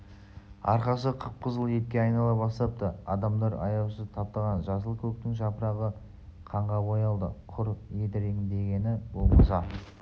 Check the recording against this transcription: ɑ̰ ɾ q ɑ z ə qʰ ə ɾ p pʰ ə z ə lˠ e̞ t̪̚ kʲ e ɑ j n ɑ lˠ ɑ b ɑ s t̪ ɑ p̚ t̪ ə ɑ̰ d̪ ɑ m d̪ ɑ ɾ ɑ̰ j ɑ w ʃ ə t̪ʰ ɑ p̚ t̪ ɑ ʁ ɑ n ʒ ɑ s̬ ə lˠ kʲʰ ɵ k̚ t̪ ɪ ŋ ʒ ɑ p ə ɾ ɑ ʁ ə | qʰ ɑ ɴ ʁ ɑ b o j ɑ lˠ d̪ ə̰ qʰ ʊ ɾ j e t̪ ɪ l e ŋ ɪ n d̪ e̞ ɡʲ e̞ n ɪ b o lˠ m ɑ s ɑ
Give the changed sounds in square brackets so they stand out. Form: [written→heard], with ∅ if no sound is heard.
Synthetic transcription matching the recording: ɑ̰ ɾ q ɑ [z→s] ə qʰ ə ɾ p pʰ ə z ə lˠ e̞ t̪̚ kʲ e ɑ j n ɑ lˠ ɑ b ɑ s t̪ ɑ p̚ t̪ ə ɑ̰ d̪ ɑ m d̪ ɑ ɾ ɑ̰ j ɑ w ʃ ə t̪ʰ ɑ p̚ t̪ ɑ ʁ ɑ n ʒ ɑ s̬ ə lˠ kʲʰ ɵ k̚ t̪ ɪ ŋ ʒ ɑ p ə ɾ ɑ ʁ ə | qʰ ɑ ɴ ʁ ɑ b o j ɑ lˠ d̪ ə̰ qʰ ʊ ɾ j e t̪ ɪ [l→ɾ] e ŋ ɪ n d̪ e̞ ɡʲ e̞ n ɪ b o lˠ m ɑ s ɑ